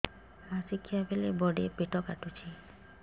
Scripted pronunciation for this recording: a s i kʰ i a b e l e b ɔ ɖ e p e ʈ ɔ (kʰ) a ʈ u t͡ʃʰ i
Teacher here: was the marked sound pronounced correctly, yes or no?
no